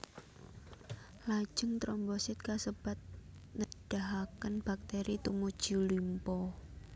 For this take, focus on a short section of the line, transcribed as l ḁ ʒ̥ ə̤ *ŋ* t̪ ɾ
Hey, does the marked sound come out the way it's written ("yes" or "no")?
yes